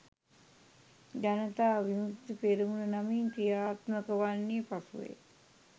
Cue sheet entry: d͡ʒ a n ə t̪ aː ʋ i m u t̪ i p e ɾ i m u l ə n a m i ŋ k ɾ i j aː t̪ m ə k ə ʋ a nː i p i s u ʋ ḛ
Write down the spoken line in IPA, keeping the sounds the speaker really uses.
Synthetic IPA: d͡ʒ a n ə t̪ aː ʋ i m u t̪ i p e ɾ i m u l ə n a m i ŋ k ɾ i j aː t̪ m ə k ə ʋ a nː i p a s u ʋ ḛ